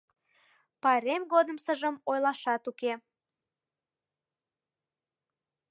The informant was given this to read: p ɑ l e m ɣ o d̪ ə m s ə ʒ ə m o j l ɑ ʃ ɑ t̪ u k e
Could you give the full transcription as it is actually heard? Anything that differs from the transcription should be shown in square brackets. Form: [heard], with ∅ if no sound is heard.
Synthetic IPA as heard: p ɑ [ɾ] e m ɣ o d̪ ə m s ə ʒ ə m o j l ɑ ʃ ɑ t̪ u k e